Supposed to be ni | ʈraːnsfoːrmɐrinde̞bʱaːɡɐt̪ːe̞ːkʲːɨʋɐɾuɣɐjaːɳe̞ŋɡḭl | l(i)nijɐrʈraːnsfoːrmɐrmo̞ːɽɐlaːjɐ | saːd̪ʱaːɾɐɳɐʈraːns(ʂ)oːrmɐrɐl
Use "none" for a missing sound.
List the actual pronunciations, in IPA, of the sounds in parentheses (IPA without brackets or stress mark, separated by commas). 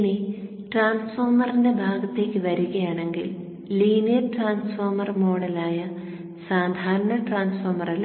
iː, f